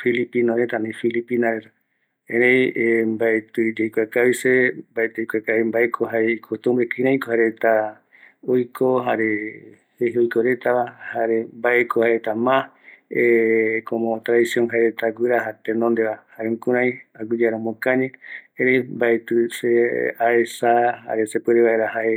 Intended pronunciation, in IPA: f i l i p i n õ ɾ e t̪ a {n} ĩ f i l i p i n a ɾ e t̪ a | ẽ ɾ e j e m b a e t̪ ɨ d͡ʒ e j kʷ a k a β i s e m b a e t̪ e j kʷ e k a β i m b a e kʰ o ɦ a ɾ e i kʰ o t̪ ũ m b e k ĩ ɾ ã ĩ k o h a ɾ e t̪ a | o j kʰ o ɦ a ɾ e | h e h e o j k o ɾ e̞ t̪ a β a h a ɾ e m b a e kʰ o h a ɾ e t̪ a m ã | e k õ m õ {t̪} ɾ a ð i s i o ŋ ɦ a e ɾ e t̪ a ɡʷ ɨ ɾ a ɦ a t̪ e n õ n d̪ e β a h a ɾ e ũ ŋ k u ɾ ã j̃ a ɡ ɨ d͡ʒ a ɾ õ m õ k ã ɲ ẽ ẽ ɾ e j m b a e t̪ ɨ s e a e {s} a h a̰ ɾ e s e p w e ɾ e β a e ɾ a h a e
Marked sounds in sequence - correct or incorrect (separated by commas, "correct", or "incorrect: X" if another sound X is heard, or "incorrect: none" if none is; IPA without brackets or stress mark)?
correct, correct, correct